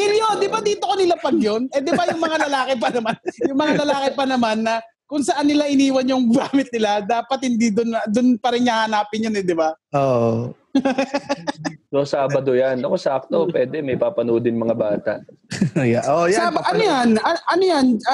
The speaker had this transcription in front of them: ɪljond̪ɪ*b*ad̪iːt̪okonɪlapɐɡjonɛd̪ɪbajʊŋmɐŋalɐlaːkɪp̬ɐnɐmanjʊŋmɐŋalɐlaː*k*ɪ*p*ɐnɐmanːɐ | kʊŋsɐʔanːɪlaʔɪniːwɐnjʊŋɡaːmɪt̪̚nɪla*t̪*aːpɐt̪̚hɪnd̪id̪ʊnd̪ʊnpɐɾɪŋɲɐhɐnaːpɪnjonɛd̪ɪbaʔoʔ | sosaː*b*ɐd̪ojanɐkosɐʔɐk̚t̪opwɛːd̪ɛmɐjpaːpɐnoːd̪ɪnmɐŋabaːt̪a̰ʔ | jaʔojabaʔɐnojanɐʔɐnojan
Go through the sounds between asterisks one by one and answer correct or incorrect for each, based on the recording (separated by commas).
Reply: correct, correct, correct, incorrect, correct